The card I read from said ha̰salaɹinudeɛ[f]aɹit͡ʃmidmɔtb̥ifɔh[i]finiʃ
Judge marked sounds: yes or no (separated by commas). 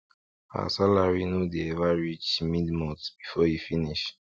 no, yes